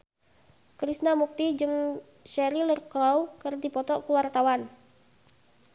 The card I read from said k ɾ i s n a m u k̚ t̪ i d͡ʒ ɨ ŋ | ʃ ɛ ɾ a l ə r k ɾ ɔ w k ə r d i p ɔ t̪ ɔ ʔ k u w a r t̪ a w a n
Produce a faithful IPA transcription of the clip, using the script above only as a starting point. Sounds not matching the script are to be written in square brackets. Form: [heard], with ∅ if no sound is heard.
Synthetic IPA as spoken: k ɾ i s n a m u k̚ t̪ i d͡ʒ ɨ ŋ | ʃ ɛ ɾ [i] l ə r k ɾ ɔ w k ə r d i p ɔ t̪ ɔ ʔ k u w a r t̪ a w a n